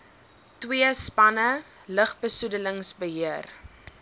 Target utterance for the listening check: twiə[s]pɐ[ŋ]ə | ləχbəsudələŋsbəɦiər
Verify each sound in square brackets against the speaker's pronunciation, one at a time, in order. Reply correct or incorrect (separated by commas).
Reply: correct, incorrect